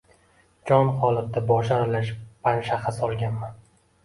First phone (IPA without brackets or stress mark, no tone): d͡ʒ